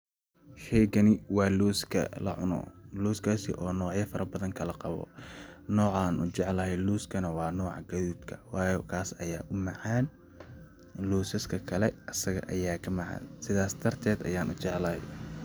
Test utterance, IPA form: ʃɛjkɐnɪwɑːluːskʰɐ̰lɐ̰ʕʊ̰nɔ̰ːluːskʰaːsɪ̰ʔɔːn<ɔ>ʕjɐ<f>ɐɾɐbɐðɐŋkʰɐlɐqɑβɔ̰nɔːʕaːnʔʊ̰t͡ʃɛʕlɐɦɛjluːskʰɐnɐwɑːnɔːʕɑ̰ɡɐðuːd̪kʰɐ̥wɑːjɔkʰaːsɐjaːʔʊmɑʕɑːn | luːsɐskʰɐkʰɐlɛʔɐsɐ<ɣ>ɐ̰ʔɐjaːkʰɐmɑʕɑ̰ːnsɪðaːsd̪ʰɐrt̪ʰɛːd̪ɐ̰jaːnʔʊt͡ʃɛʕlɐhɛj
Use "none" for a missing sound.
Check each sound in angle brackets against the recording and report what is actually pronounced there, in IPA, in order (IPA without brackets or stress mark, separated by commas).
ɔː, f, ɣ